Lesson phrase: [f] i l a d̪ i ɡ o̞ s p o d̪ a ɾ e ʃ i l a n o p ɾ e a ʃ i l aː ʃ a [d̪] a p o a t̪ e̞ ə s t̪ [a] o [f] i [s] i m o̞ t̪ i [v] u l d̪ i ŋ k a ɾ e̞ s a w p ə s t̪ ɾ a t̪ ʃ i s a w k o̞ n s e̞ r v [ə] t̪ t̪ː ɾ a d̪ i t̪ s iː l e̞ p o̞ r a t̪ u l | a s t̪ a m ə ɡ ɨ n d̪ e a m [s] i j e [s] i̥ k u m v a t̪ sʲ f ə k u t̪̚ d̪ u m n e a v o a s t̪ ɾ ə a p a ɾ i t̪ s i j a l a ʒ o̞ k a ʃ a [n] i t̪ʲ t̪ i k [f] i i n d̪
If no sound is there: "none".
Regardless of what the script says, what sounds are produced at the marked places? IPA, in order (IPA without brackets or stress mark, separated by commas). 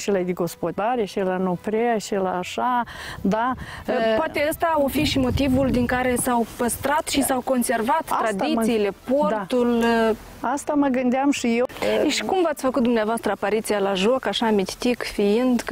ʃ, d̪, a, f, ʃ, v, a, ʃ, ʃ, m, f